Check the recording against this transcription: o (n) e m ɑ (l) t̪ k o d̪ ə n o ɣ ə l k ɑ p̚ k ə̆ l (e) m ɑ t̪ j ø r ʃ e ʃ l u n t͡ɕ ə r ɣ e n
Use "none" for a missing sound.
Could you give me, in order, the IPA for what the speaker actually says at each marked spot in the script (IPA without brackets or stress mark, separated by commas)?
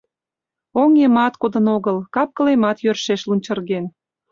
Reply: ŋ, none, e